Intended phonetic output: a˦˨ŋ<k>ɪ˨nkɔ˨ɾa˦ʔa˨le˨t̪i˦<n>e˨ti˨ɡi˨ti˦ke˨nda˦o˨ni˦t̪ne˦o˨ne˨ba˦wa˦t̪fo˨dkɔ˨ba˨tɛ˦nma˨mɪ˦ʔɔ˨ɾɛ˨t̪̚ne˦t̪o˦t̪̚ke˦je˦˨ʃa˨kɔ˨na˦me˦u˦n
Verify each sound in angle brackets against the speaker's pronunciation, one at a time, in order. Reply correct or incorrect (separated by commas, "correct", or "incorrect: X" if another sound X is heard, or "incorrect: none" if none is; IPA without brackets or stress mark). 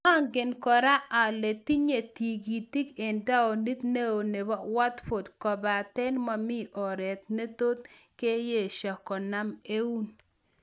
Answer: incorrect: ɡ, incorrect: ɲ